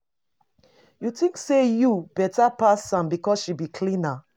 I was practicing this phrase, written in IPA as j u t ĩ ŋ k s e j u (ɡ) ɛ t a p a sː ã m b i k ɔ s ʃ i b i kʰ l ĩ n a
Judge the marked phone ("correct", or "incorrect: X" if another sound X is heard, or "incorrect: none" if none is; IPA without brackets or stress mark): incorrect: b